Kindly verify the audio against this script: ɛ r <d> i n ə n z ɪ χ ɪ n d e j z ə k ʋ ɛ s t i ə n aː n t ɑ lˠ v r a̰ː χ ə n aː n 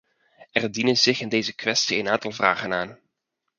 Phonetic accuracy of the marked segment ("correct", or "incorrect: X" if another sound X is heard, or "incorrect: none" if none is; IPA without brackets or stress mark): correct